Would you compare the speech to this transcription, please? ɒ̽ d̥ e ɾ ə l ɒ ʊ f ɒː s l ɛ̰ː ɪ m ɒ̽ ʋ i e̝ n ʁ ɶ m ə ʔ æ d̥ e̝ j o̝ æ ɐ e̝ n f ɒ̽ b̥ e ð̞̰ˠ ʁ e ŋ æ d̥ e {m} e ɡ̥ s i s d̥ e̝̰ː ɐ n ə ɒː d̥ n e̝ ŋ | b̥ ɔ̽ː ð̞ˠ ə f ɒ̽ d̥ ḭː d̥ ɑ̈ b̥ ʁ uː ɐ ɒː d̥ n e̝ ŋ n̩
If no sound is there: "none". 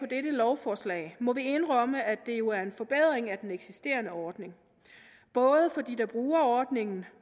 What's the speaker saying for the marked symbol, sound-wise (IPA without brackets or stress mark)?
n